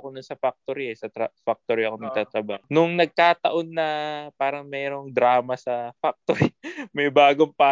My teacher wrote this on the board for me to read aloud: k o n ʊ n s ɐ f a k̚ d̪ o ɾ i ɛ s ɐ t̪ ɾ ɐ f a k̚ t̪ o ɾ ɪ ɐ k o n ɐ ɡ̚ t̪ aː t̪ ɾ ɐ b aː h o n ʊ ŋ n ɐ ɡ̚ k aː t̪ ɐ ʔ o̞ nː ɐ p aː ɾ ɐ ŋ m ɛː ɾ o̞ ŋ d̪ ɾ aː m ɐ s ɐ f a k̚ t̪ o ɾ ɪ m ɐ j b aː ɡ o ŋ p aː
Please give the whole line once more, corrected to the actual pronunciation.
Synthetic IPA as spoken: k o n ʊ n s ɐ f a k̚ t̪ o ɾ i ɛ s ɐ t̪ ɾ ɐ f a k̚ t̪ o ɾ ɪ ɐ k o n ɐ ɡ̚ t̪ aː t̪ ɾ ɐ b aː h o n ʊ ŋ n ɐ ɡ̚ k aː t̪ ɐ ʔ o̞ nː ɐ p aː ɾ ɐ ŋ m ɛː ɾ o̞ ŋ d̪ ɾ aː m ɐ s ɐ f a k̚ t̪ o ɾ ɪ m ɐ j b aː ɡ o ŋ p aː